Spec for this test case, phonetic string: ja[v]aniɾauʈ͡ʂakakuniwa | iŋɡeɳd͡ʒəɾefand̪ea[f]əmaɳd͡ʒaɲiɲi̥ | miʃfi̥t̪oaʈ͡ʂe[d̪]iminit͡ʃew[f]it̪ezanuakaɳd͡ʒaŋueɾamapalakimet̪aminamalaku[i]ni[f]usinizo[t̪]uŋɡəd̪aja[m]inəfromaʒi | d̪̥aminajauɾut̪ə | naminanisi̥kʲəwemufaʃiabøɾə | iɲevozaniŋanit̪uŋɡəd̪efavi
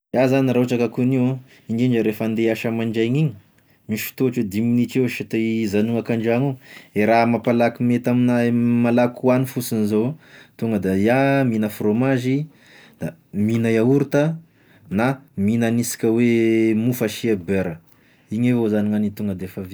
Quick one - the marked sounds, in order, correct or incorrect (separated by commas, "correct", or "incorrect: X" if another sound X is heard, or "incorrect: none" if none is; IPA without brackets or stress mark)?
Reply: incorrect: z, incorrect: ʃ, correct, incorrect: ʃ, incorrect: a, correct, correct, correct